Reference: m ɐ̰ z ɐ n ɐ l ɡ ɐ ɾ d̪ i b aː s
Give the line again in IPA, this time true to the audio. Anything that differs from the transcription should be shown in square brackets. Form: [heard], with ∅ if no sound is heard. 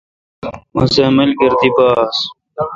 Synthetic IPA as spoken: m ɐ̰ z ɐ [m] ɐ l ɡ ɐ ɾ d̪ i b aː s